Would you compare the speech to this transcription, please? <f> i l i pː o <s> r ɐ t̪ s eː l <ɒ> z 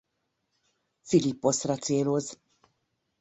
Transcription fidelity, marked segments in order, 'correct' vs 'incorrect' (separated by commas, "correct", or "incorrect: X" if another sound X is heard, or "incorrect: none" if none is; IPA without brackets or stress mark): correct, correct, incorrect: o